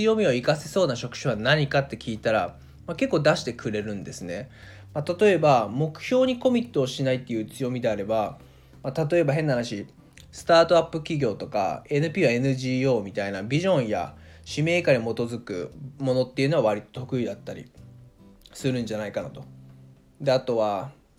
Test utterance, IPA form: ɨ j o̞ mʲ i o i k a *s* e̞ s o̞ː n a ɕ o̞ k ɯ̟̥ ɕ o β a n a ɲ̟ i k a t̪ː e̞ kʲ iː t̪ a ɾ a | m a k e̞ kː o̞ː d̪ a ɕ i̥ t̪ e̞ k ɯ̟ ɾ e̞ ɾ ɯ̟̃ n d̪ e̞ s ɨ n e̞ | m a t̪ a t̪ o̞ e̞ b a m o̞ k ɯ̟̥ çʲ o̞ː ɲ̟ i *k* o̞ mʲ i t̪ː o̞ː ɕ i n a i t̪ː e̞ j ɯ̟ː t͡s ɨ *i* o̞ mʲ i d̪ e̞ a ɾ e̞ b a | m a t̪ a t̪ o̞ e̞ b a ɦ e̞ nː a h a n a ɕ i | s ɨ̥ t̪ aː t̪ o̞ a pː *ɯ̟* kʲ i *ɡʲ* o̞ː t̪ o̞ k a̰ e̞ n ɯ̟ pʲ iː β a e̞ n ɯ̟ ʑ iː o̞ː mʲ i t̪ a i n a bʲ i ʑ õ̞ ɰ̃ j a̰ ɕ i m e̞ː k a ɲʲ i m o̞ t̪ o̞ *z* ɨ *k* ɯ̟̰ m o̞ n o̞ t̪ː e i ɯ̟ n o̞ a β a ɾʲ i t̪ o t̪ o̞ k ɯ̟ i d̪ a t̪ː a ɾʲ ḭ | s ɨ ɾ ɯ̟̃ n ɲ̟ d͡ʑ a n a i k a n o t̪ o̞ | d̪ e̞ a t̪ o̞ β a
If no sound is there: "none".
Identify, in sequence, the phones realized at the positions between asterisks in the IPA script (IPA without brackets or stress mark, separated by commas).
s, k, j, ɯ̟, ɡʲ, z, k